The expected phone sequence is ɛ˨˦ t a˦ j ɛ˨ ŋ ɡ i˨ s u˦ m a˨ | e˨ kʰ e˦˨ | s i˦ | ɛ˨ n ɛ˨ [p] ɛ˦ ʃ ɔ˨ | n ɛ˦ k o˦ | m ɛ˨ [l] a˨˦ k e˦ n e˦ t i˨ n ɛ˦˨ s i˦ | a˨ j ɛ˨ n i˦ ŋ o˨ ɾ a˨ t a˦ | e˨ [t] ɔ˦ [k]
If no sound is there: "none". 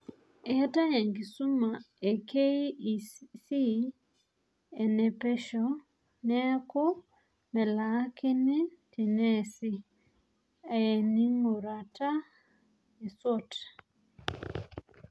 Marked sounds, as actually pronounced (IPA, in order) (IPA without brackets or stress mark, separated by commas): p, l, s, t